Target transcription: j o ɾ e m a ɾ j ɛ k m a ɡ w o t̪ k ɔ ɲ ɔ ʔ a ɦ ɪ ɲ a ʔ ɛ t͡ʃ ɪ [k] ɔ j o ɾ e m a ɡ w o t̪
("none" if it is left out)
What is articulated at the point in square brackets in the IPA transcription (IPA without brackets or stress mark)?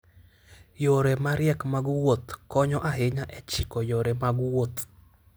k